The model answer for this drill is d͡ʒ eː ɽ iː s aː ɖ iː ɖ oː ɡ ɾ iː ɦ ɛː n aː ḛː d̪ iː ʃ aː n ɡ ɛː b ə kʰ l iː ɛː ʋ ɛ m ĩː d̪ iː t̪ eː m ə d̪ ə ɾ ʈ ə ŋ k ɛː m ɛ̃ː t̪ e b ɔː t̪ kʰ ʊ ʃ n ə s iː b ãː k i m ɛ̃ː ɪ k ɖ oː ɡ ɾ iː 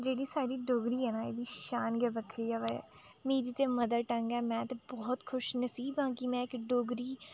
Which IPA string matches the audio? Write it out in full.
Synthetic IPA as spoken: d͡ʒ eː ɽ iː s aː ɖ iː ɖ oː ɡ ɾ iː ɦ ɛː n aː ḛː d̪ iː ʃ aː n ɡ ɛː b ə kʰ ɾ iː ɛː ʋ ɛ m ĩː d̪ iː t̪ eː m ə d̪ ə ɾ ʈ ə ŋ ɡ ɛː m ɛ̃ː t̪ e b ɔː t̪ kʰ ʊ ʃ n ə s iː b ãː k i m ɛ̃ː ɪ k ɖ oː ɡ ɾ iː